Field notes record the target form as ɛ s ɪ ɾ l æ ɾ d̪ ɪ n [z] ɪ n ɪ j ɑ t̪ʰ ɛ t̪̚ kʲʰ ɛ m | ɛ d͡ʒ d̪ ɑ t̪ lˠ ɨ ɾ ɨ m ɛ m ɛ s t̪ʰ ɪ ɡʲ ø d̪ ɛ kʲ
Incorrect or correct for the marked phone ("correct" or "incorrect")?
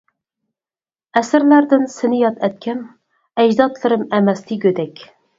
incorrect